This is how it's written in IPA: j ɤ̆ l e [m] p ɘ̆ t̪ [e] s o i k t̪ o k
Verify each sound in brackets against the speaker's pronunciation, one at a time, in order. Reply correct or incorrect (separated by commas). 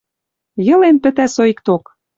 incorrect, incorrect